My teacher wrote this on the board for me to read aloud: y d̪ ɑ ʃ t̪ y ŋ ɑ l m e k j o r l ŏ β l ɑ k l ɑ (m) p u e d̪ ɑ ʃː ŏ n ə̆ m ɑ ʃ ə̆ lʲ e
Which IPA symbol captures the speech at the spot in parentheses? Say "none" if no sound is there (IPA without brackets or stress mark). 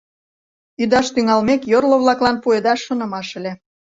n